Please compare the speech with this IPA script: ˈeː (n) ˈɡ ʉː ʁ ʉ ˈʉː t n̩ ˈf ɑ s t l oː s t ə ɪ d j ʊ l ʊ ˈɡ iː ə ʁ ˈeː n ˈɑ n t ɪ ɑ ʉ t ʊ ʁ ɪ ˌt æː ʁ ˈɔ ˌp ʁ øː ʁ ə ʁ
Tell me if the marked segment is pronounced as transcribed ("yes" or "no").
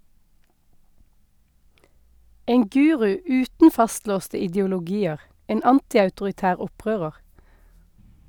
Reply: no